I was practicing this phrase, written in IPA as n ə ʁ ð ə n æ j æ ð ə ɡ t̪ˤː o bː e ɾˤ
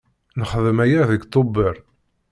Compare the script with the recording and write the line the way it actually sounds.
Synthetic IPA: n ə χ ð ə m æ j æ ð ə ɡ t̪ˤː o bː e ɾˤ